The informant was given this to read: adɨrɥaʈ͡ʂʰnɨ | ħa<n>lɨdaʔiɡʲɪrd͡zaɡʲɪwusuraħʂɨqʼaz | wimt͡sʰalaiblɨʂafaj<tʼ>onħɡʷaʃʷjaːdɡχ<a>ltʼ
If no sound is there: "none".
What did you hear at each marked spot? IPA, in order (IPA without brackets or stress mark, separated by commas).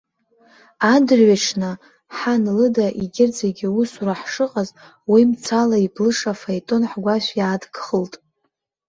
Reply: n, tʼ, ə